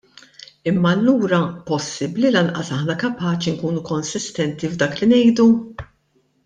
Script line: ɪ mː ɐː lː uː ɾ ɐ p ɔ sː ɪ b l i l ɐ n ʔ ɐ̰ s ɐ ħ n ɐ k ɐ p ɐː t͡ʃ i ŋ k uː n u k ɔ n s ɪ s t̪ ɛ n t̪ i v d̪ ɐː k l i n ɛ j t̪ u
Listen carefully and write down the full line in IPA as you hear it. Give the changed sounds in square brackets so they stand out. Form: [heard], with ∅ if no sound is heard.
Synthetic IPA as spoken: ɪ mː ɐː lː uː ɾ ɐ p ɔ sː ɪ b l i l ɐ n ʔ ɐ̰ s ɐ ħ n ɐ k ɐ p ɐː t͡ʃ i ŋ k uː n u k ɔ n s ɪ s t̪ ɛ n t̪ i v d̪ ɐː k l i n ɛ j [d̪] u